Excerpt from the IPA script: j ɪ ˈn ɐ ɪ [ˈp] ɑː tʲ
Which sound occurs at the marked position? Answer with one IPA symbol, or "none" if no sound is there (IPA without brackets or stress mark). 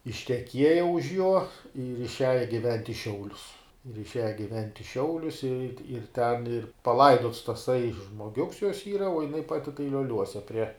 p